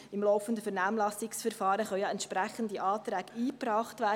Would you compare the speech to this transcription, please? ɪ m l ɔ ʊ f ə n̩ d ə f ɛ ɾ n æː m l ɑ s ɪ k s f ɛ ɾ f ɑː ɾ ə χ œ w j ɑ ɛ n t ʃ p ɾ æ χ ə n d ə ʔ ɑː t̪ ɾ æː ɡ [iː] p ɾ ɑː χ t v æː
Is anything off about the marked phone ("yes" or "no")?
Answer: no